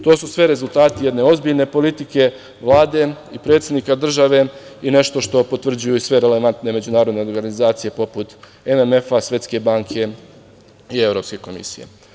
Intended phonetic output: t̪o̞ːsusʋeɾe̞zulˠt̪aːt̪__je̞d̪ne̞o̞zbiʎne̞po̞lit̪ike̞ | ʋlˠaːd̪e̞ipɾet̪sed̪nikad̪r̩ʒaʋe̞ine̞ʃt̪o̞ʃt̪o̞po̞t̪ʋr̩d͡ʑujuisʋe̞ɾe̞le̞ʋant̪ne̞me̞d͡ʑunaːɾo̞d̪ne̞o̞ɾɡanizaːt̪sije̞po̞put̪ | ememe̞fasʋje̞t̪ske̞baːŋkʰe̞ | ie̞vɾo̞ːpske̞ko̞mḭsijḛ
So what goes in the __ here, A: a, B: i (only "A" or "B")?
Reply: B